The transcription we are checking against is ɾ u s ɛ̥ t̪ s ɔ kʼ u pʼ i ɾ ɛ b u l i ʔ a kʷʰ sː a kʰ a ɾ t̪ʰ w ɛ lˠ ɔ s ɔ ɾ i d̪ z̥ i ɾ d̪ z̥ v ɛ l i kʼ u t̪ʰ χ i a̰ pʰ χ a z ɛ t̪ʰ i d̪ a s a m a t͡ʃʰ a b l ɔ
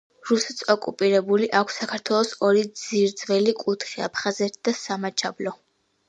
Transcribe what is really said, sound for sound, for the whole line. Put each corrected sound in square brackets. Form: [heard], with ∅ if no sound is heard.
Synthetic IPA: ɾ u s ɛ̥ t̪ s ɔ kʼ u pʼ i ɾ ɛ b u l i ʔ a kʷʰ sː a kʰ a ɾ t̪ʰ w ɛ lˠ ɔ s ɔ ɾ i d̪ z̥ i ɾ d̪ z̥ v ɛ l i kʼ u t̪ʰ χ i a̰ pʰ χ a z ɛ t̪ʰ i d̪ a s a m a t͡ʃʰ a b l ɔ